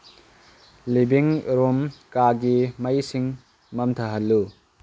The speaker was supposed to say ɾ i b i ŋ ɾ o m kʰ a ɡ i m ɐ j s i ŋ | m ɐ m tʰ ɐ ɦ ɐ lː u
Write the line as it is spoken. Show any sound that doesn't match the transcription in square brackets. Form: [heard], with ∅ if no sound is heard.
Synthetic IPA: [l] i b i ŋ ɾ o m [k] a ɡ i m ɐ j s i ŋ | m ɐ m tʰ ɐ ɦ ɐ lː u